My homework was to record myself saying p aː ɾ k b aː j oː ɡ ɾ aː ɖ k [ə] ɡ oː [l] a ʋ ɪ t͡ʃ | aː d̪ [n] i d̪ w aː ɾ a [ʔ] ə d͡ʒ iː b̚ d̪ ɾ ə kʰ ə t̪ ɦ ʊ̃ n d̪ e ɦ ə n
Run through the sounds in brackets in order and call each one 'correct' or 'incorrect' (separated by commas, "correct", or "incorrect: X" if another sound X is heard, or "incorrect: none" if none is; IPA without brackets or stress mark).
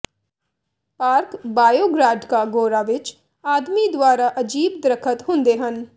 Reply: incorrect: a, incorrect: ɾ, incorrect: m, correct